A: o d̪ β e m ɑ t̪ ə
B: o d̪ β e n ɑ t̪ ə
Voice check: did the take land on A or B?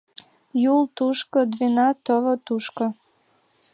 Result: B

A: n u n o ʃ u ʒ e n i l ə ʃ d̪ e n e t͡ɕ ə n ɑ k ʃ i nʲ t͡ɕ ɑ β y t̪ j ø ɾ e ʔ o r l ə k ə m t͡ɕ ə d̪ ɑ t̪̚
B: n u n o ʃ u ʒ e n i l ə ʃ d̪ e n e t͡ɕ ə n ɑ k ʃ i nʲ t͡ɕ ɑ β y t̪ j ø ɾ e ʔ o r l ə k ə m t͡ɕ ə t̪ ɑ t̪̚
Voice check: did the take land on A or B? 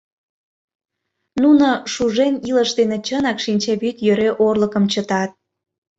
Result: B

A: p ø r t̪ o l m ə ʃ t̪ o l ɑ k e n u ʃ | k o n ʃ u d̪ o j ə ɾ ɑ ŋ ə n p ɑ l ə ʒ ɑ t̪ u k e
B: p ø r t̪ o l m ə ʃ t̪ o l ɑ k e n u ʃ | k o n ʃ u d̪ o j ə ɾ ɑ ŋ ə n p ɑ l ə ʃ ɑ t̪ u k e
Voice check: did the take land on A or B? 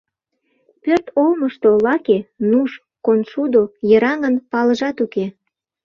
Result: A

